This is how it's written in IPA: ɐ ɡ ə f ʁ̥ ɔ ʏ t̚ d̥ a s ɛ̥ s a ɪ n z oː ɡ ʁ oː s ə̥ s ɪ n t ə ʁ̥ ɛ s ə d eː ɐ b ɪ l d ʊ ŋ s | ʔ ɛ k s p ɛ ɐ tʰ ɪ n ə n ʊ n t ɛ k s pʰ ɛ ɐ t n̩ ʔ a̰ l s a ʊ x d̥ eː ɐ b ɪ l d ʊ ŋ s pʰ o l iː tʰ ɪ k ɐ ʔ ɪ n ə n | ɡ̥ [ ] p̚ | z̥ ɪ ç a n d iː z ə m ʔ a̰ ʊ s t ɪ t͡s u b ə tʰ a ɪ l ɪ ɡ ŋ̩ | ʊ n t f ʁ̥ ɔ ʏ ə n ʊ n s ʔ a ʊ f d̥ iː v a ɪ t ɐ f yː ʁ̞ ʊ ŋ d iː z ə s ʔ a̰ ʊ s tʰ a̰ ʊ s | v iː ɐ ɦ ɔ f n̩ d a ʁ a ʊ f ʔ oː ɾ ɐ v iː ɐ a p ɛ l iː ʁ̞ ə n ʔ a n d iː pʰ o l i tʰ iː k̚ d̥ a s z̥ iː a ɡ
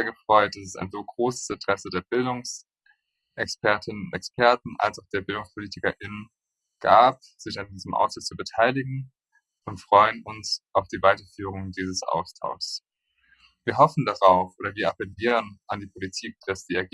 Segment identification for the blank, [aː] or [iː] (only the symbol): aː